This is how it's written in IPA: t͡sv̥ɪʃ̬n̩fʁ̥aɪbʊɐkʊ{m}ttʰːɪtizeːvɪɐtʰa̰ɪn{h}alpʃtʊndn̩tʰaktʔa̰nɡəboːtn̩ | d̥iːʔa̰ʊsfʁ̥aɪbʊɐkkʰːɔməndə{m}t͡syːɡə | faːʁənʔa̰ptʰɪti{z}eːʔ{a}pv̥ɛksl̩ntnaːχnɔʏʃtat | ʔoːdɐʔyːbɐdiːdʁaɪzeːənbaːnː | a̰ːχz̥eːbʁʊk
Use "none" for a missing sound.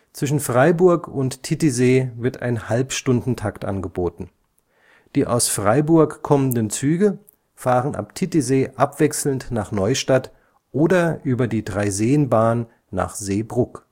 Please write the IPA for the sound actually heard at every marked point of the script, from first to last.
n, h, n, z, a

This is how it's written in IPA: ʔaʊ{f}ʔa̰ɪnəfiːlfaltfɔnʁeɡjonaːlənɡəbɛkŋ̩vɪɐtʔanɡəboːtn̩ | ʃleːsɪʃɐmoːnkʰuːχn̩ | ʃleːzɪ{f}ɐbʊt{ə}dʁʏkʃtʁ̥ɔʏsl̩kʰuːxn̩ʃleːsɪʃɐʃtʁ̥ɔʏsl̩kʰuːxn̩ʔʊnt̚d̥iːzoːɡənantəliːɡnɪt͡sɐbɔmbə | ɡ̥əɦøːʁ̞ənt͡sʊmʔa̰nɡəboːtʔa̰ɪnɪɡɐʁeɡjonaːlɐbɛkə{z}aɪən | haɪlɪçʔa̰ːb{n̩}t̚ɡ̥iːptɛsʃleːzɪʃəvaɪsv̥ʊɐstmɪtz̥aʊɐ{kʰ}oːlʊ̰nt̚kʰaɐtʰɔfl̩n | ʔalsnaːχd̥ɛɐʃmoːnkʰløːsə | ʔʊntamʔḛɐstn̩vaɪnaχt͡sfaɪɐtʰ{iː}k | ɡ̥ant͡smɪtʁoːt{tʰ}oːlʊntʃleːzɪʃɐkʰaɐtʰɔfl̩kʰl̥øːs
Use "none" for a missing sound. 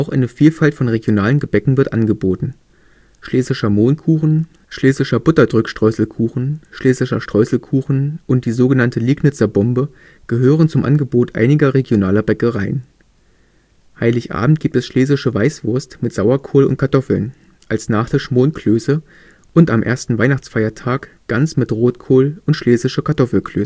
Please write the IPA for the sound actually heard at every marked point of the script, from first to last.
x, ʃ, ɐ, ʁ, m̩, kʰ, aː, kʰ

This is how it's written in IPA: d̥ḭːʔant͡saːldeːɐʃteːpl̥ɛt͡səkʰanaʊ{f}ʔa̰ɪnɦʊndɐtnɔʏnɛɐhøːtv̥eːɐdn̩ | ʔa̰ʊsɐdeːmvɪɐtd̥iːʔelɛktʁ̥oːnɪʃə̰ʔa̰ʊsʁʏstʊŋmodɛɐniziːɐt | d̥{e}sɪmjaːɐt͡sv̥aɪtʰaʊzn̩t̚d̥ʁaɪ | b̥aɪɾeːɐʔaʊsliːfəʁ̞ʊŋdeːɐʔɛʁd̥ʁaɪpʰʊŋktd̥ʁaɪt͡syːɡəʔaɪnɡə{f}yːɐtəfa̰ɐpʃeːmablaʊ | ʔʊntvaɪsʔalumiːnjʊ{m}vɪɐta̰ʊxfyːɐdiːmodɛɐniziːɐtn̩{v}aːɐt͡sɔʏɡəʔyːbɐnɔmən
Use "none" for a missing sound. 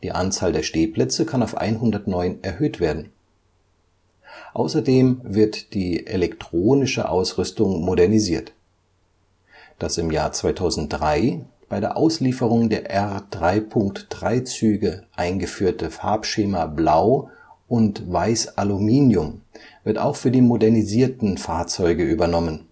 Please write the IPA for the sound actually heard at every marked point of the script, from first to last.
f, a, f, m, f

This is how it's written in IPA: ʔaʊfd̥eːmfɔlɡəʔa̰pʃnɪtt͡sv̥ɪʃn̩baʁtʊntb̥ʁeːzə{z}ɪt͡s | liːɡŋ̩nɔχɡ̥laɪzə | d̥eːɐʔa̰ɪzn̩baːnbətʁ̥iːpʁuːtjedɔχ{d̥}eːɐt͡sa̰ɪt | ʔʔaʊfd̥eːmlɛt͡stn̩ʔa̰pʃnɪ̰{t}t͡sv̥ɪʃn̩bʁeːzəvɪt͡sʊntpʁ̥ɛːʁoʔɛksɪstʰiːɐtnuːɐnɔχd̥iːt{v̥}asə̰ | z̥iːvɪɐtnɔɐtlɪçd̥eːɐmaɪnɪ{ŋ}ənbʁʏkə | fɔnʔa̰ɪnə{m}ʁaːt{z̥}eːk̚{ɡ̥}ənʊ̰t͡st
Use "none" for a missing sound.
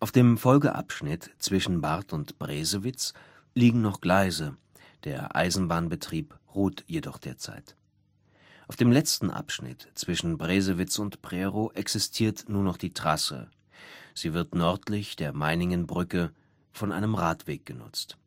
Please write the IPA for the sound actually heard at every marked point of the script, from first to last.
v, d̥, t, ʁ̥, ŋ, m, v̥, ɡ̥

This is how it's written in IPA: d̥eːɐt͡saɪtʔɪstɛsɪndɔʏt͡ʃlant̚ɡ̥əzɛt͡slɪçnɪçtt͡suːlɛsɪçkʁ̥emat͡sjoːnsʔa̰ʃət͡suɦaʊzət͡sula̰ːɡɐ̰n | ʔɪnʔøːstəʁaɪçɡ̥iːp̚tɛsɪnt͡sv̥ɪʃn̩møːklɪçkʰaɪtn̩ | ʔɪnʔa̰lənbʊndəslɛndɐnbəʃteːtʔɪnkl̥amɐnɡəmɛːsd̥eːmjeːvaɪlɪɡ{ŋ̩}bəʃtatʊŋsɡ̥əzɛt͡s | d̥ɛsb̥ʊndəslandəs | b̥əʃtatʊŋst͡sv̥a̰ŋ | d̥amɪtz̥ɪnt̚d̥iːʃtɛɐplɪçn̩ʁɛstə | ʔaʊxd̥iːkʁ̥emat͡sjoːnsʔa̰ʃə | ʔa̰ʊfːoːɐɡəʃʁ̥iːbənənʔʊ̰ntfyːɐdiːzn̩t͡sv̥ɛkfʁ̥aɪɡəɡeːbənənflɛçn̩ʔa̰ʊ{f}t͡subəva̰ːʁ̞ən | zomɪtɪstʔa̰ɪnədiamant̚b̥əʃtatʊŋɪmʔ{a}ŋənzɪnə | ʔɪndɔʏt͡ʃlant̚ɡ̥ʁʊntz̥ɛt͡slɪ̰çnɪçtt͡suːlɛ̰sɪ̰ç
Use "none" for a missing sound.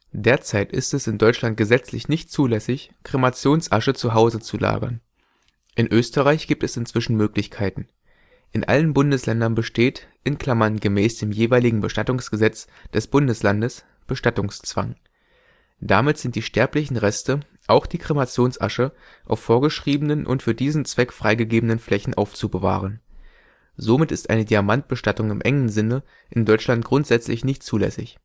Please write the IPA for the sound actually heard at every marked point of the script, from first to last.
ŋ̩, f, ɛ

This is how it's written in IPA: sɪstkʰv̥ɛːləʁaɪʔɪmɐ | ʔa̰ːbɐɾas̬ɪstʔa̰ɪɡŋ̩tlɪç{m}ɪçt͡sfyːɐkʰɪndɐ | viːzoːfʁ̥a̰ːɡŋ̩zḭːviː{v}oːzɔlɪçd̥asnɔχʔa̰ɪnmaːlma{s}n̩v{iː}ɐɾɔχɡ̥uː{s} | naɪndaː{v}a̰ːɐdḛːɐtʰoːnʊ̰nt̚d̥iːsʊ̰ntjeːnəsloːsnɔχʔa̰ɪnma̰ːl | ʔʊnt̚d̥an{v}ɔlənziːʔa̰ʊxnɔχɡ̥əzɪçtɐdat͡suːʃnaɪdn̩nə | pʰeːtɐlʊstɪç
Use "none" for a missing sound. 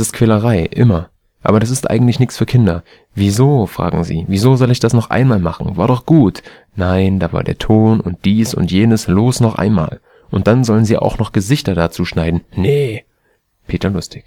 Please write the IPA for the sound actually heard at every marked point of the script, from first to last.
n, z, χ, aː, t, v, z

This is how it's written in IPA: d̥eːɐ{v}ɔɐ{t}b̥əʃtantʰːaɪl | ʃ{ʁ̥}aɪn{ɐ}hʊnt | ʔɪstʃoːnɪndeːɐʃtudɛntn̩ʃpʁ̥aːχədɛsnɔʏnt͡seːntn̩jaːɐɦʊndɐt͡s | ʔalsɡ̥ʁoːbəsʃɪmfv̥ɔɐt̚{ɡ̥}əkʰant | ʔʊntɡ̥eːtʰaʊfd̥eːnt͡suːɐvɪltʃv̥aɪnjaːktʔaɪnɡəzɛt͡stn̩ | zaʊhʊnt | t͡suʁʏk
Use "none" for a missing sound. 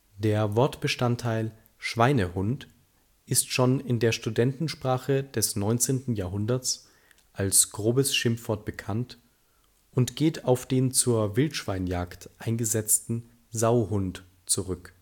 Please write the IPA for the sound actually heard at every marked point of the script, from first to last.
v, t, v̥, ə, b̥

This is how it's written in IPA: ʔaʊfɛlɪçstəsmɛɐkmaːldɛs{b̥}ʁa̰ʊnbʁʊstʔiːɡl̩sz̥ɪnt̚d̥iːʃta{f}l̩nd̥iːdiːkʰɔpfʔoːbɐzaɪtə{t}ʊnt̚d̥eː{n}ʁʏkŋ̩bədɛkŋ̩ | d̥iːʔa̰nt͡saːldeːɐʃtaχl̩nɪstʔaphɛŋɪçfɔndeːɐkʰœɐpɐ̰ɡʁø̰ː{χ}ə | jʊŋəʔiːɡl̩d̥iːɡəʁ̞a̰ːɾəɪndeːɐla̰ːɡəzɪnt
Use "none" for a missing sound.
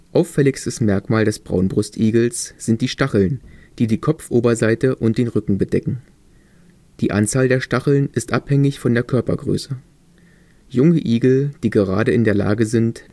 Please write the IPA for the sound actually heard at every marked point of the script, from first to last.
b̥, χ, ʔ, n, s

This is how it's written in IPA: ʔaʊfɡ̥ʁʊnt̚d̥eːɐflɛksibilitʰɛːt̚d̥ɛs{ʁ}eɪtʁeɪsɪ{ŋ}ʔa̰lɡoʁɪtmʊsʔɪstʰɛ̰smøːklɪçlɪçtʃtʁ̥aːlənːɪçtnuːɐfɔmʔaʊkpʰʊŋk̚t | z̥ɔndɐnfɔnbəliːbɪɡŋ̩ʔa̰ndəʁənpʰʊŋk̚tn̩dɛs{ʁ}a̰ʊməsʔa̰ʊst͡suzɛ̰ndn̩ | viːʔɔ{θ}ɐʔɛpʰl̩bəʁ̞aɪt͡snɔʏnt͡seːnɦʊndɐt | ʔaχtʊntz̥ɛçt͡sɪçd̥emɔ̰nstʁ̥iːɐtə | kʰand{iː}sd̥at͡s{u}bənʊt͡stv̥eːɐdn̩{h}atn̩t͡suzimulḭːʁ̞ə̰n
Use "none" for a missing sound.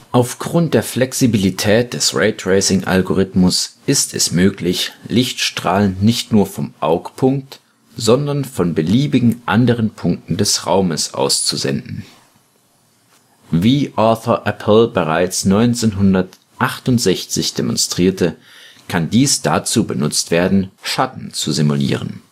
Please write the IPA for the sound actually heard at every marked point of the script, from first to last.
ʁ, ŋ, ʁ, θ, iː, uː, ʃ

